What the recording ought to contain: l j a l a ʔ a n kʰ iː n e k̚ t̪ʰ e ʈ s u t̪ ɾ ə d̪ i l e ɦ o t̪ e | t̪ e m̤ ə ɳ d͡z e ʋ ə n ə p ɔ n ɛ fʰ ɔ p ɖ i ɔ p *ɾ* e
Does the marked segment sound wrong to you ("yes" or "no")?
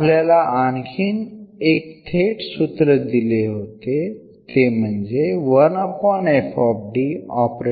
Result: no